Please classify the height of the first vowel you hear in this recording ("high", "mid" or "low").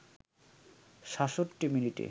low